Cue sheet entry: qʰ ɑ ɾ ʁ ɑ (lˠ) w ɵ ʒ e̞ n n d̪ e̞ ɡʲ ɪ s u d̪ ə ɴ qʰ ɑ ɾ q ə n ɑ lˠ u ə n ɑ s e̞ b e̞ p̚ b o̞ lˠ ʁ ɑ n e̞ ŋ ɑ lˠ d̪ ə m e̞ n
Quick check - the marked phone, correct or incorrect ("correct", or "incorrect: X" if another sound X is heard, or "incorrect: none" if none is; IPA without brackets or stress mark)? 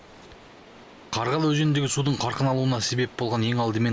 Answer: correct